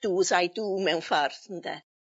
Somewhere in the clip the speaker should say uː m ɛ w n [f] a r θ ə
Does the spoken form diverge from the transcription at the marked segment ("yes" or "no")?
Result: no